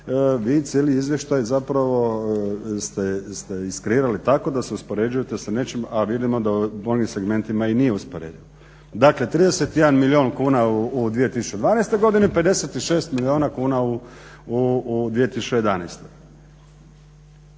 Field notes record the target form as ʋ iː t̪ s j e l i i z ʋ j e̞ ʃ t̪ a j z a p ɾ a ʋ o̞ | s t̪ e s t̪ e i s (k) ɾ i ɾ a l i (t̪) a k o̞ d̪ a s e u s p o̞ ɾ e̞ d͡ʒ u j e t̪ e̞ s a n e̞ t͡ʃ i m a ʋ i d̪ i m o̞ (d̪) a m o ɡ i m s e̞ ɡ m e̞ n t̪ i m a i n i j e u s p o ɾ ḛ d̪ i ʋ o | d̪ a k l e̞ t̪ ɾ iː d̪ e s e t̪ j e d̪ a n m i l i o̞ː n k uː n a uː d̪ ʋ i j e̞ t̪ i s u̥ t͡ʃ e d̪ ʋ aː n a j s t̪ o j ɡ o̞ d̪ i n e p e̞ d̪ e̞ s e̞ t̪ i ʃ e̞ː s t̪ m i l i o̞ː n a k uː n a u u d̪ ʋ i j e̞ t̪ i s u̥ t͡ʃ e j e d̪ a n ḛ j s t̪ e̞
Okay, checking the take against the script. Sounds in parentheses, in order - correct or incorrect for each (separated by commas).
correct, correct, correct